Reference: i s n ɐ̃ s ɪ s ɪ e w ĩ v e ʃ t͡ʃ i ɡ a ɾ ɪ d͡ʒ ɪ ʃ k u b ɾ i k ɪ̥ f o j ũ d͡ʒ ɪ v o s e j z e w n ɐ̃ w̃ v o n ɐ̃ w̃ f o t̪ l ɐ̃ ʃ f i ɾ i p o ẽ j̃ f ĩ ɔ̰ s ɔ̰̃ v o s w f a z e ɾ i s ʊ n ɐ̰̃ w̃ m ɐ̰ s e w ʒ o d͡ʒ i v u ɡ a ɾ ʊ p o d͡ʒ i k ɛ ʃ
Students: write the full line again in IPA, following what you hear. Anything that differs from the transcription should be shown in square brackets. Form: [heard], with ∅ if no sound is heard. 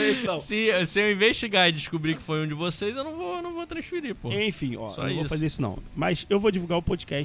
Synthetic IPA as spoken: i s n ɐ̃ s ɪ s ɪ e w ĩ v e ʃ t͡ʃ i ɡ a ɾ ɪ d͡ʒ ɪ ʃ k u b ɾ i k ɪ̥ f o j ũ d͡ʒ ɪ v o s e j z e w n ɐ̃ w̃ v o n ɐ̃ w̃ [v] o t̪ [ɾ] ɐ̃ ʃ f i ɾ i p o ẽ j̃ f ĩ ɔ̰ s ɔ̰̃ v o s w f a z e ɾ i s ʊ n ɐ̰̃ w̃ m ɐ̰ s e w [v] o d͡ʒ i v u ɡ a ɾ ʊ p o d͡ʒ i k ɛ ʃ